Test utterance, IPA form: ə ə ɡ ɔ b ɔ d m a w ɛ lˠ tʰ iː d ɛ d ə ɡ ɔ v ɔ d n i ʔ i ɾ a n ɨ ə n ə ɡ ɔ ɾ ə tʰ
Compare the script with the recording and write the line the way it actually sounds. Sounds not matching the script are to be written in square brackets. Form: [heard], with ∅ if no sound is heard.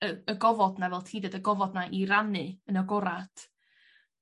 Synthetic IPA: ə ə ɡ ɔ [v] ɔ d [n] a [v] ɛ lˠ tʰ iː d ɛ d ə ɡ ɔ v ɔ d n [a] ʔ i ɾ a n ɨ ə n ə ɡ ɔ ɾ [a] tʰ

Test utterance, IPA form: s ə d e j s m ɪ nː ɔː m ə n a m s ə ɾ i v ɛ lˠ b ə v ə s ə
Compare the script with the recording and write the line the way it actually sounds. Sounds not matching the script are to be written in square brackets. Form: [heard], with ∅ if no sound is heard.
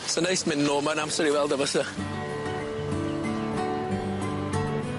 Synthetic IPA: s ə [n] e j s m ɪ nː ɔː m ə n a m s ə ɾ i [w] ɛ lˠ [d] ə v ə s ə

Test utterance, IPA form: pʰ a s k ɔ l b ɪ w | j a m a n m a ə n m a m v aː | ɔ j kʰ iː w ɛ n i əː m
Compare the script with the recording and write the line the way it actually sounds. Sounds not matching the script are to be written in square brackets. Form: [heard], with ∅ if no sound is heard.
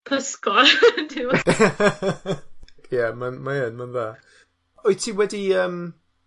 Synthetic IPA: pʰ [ə] s k ɔ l [d] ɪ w | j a m a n m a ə n m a [n] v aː | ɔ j [tʰ] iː w ɛ [d] i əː m

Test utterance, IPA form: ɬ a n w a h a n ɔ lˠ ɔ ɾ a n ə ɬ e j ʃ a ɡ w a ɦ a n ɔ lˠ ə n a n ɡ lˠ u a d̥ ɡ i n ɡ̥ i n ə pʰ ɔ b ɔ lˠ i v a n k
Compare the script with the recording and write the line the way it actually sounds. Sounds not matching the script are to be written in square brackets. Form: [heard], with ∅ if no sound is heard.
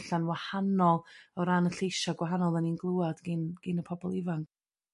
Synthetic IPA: ɬ a n w a h a n ɔ lˠ ɔ ɾ a n ə ɬ e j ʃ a ɡ w a ɦ a n ɔ lˠ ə n [i] n ɡ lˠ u a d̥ ɡ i n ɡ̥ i n ə pʰ ɔ b ɔ lˠ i v a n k

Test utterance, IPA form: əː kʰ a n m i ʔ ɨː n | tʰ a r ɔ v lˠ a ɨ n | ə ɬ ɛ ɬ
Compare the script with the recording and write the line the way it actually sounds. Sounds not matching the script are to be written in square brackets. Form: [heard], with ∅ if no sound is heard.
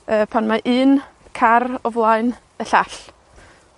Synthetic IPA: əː [pʰ] a n m [a] ʔ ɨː n | [kʰ] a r ɔ v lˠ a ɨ n | ə ɬ [a] ɬ

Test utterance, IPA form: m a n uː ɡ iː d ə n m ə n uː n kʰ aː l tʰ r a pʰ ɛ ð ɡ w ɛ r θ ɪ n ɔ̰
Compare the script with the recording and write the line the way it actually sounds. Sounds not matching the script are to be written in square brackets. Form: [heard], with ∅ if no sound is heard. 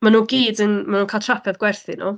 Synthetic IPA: m a n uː ɡ iː d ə n m [a] n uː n kʰ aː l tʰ r a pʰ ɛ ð ɡ w ɛ r θ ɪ n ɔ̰

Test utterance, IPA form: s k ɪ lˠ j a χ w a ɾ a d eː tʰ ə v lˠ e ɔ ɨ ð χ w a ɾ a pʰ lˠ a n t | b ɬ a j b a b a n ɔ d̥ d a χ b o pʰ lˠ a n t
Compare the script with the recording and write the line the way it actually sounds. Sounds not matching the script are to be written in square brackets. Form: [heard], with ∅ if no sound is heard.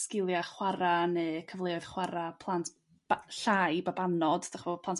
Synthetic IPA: s k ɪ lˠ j a χ w a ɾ a [n] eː [kʰ] ə v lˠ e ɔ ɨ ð χ w a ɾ a pʰ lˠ a n t | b ɬ a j b a b a n ɔ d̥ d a χ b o pʰ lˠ a n t

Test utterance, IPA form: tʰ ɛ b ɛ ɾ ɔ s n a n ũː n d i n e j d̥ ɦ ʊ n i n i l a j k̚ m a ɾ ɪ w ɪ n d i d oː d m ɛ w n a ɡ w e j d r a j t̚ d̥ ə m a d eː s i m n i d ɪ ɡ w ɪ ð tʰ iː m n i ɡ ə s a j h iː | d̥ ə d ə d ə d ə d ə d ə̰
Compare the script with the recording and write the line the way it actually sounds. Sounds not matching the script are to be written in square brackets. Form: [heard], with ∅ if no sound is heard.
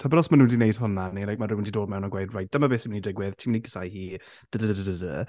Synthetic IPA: tʰ [a] b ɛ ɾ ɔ s [m] a n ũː n d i n e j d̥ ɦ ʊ n [a] n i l a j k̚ m a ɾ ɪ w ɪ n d i d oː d m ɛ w n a ɡ w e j d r a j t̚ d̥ ə m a [b] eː s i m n i d ɪ ɡ w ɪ ð tʰ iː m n i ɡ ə s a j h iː | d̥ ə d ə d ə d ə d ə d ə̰

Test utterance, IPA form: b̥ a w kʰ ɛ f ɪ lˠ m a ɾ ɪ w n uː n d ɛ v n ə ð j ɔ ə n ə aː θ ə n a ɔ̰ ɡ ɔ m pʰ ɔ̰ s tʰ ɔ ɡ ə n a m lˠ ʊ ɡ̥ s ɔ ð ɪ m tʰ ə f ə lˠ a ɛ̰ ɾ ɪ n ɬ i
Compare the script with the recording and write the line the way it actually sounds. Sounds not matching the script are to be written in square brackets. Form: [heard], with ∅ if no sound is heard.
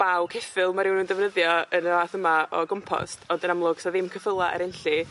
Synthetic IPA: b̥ a w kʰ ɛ f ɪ lˠ m a ɾ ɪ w n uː n d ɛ v n ə ð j ɔ ə n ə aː θ ə [m] a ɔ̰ ɡ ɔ m pʰ ɔ̰ s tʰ ɔ [d] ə n a m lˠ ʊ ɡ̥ s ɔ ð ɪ m [kʰ] ə f ə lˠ a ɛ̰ ɾ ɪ n ɬ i

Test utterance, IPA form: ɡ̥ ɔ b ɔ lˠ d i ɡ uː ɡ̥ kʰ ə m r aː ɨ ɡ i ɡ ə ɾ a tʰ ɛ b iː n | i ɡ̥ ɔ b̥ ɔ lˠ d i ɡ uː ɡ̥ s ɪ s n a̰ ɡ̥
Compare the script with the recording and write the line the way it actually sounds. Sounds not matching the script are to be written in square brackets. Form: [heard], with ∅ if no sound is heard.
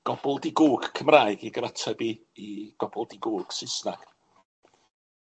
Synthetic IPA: ɡ̥ ɔ b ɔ lˠ d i ɡ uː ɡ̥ kʰ ə m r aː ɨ ɡ i ɡ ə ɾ a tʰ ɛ b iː [∅] | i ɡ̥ ɔ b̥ ɔ lˠ d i ɡ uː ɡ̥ s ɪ s n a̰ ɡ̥

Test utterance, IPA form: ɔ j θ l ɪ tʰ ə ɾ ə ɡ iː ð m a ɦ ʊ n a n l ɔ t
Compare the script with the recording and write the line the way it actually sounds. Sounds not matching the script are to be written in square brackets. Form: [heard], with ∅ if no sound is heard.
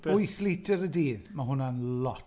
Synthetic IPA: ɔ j θ l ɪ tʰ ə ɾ ə [d] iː ð m a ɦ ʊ n a n l ɔ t

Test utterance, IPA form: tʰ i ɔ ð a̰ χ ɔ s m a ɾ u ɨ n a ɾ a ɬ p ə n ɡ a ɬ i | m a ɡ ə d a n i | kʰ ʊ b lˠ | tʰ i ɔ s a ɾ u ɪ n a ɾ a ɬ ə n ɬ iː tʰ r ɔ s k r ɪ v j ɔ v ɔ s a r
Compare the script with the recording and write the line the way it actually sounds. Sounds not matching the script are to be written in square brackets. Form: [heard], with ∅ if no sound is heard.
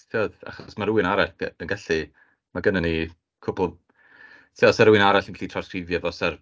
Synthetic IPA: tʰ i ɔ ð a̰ χ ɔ s m a ɾ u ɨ n a ɾ a ɬ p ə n ɡ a ɬ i | m a ɡ ə [n] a n i | kʰ ʊ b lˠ | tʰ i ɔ s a ɾ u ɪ n a ɾ a ɬ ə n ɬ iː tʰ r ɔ s k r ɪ v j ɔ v ɔ s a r

